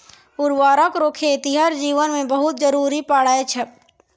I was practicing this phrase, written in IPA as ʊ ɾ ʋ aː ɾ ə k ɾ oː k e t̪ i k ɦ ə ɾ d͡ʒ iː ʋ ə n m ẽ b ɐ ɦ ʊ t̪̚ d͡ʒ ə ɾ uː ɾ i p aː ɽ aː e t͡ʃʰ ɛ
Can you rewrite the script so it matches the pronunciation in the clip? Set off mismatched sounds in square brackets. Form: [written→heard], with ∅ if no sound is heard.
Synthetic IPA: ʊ ɾ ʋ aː ɾ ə k ɾ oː [k→kʰ] e t̪ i [k→∅] ɦ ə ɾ d͡ʒ iː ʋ ə n m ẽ b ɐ ɦ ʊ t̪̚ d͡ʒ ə ɾ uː ɾ i p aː ɽ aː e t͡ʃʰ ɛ